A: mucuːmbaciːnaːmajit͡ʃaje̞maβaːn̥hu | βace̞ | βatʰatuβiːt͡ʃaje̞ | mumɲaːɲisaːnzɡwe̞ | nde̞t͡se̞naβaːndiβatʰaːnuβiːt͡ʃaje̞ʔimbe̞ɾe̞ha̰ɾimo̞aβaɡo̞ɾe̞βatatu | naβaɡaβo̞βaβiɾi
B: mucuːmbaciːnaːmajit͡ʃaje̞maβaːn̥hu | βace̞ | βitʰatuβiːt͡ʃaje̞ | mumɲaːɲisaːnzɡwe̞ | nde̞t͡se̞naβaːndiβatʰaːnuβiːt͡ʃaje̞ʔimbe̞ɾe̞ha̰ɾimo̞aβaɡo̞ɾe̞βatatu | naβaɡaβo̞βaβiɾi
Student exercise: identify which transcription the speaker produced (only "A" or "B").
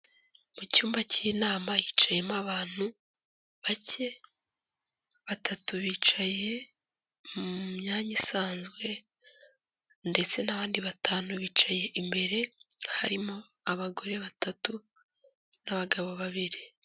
A